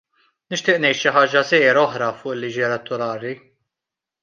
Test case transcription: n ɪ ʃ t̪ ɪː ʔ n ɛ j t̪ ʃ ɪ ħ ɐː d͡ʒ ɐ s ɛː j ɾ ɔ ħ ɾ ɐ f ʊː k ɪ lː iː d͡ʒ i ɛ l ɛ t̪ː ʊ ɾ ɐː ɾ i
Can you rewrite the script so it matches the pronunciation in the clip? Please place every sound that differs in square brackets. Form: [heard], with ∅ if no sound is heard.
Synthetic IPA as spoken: n ɪ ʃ t̪ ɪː ʔ n ɛ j t̪ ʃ ɪ ħ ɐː d͡ʒ ɐ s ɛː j ɾ ɔ ħ ɾ ɐ f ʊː [ʔ] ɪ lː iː d͡ʒ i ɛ l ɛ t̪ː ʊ ɾ ɐː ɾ i